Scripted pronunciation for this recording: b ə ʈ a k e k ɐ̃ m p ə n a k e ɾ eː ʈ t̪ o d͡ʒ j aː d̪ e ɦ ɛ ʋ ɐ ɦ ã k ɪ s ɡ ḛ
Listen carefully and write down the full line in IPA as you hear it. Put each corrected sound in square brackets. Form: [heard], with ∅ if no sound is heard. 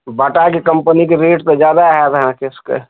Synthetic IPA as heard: b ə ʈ a k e k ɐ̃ m p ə n [i] k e ɾ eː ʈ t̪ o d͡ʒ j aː d̪ [a] ɦ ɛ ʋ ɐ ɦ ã k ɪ s [k] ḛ

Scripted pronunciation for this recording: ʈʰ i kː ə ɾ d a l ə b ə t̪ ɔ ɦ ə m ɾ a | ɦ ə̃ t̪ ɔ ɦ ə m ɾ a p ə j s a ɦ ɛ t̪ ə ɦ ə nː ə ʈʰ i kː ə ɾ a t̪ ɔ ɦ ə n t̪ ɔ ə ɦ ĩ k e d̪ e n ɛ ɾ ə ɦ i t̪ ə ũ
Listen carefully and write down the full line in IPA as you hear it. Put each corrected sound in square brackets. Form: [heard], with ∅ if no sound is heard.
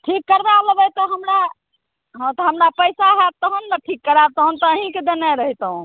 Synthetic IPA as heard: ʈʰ i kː ə ɾ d a l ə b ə t̪ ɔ ɦ ə m ɾ a | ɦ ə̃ t̪ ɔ ɦ ə m ɾ a p ə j s a ɦ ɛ t̪ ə ɦ ə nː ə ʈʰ i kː ə ɾ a t̪ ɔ ɦ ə n t̪ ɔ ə ɦ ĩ k e d̪ e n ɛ ɾ ə ɦ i t̪ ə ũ

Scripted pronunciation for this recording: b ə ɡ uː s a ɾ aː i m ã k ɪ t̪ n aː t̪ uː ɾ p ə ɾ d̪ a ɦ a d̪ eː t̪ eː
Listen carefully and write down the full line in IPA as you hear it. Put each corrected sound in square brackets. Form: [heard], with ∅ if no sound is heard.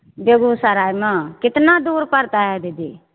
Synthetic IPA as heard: b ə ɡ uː s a ɾ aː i m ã k ɪ t̪ n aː [d̪] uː ɾ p ə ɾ [t̪] a ɦ [ɛ] d̪ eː [d̪] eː

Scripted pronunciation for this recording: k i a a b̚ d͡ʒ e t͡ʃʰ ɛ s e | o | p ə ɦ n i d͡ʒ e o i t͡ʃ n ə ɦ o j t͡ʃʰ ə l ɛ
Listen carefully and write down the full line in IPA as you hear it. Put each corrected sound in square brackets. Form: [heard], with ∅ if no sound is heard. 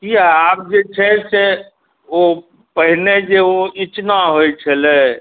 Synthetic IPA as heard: k i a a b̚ d͡ʒ e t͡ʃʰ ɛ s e | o | p ə ɦ n [e] d͡ʒ e o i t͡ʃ n [a] ɦ o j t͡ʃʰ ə l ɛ

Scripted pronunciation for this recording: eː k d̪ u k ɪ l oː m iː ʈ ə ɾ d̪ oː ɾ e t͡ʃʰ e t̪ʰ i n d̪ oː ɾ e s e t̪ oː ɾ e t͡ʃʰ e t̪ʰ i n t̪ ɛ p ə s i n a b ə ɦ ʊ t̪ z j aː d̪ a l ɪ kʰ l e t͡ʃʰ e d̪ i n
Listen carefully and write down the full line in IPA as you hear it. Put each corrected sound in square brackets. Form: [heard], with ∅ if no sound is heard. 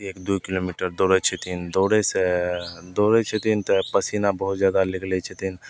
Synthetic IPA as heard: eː k d̪ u k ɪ l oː m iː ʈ ə ɾ d̪ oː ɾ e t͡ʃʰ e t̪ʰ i n d̪ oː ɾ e s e [d̪] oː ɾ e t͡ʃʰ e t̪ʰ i n t̪ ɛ p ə s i n a b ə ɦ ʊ t̪ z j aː d̪ a l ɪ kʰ l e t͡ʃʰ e [t̪] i n

